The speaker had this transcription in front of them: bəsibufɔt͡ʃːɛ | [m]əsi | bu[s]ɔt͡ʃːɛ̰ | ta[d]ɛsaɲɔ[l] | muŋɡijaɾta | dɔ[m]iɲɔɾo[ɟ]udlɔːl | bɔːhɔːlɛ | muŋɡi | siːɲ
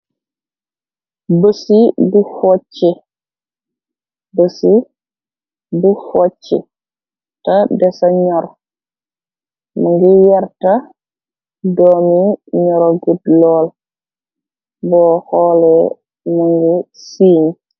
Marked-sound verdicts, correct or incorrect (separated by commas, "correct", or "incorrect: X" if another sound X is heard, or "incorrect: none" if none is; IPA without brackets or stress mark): incorrect: b, incorrect: f, correct, incorrect: ɾ, correct, incorrect: ɡ